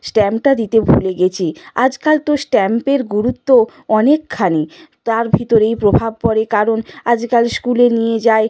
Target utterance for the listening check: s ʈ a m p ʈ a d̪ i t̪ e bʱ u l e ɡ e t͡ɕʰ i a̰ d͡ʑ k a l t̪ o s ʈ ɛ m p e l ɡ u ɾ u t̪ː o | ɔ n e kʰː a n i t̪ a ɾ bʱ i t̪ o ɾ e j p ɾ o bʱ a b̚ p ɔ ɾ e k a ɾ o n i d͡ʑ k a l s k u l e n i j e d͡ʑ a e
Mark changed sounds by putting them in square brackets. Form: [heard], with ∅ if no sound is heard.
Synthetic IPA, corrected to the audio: s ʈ [ɛ] m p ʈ a d̪ i t̪ e bʱ u l e ɡ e t͡ɕʰ i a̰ d͡ʑ k a l t̪ o s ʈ ɛ m p e [ɾ] ɡ u ɾ u t̪ː o | ɔ n e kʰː a n i t̪ a ɾ bʱ i t̪ o ɾ e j p ɾ o bʱ a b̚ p ɔ ɾ e k a ɾ o n [a] d͡ʑ k a l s k u l e n i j e d͡ʑ a e